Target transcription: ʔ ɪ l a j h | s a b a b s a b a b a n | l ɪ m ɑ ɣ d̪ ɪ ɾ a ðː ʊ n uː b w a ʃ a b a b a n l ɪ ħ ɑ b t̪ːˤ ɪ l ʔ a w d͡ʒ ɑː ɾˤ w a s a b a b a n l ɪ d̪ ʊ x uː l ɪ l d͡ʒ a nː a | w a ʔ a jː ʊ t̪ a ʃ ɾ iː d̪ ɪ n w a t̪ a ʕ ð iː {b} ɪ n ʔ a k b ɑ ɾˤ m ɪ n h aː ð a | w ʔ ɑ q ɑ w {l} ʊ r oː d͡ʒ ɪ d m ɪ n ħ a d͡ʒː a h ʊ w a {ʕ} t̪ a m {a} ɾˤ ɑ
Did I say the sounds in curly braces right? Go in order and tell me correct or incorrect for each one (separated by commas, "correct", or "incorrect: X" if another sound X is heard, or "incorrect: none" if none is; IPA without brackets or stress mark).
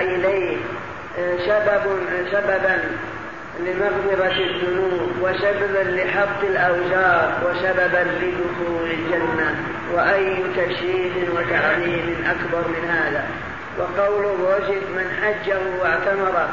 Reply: incorrect: m, correct, correct, incorrect: ɑ